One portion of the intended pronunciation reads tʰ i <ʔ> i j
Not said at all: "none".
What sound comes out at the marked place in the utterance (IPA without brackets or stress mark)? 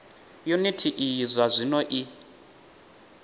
ʔ